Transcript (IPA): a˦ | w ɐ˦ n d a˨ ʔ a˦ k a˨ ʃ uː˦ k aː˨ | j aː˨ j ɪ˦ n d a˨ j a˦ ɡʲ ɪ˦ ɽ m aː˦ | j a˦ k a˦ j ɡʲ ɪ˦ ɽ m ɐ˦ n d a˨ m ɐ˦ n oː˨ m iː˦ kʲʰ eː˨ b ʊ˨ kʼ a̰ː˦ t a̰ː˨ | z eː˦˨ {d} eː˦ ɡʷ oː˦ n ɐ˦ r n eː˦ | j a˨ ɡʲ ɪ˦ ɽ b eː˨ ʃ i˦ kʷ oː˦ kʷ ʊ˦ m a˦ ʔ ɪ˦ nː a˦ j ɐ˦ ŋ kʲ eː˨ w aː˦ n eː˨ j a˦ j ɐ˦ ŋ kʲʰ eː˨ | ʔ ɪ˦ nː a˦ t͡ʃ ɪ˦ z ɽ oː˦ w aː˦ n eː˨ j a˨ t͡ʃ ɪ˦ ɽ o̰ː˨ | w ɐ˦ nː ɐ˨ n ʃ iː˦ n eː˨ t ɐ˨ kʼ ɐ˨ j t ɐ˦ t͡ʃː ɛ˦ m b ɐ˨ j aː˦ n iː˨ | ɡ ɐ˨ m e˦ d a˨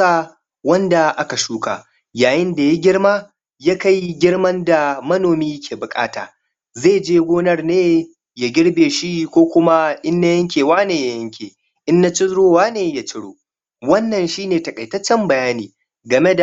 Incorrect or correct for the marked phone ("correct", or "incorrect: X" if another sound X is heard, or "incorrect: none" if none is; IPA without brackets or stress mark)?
incorrect: d͡ʒ